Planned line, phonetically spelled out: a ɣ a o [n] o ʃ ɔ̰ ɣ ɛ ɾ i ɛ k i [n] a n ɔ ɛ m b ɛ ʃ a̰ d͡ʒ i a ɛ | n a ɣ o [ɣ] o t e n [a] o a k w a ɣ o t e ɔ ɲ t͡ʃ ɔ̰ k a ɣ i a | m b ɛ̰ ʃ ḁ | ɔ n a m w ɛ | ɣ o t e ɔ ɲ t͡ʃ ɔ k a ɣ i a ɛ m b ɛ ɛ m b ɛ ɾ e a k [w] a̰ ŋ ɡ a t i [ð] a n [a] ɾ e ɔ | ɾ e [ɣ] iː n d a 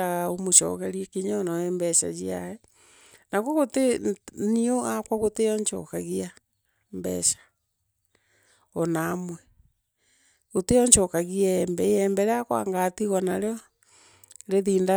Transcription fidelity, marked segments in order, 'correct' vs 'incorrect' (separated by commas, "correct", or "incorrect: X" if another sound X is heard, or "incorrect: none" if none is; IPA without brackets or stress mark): incorrect: m, incorrect: ɲ, correct, incorrect: i, correct, incorrect: ɣ, correct, incorrect: ð